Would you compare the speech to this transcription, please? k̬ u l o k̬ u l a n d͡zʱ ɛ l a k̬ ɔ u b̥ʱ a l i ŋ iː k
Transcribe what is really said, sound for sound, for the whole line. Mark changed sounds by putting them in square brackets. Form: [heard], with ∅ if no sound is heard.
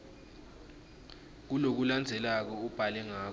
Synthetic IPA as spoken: k̬ u l o k̬ u l a n d͡zʱ ɛ l a k̬ ɔ u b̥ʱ a l [ɛ] ŋ [aː] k

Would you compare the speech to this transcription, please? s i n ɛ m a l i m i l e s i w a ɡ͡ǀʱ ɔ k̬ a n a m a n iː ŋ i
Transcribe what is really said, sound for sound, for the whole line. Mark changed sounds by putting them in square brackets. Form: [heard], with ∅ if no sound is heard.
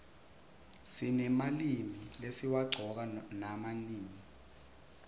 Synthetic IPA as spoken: s i n ɛ m a l i m i l e s i w a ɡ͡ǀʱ ɔ k̬ a n a m a n iː ŋ i

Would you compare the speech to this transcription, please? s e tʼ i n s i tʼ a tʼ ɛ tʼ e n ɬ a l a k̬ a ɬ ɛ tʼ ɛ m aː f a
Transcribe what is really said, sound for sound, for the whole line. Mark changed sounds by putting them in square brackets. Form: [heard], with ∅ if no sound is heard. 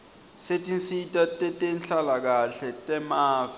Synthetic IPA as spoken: s e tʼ i n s i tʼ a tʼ ɛ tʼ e n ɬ a l a k̬ a ɬ ɛ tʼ ɛ m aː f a

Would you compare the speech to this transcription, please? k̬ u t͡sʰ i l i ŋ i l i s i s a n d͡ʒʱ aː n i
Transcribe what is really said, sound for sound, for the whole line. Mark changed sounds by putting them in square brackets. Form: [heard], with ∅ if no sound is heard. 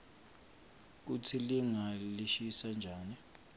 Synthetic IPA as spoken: k̬ u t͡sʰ i l i ŋ [a] l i [ʃ] i s a n d͡ʒʱ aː n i

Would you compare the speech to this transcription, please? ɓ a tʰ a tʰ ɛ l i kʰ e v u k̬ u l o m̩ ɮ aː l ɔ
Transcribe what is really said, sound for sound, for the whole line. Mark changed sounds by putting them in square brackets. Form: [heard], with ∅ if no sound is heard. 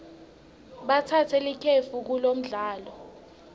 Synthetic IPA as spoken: ɓ a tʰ a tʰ ɛ l i kʰ e [f] u k̬ u l o m̩ ɮ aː l ɔ

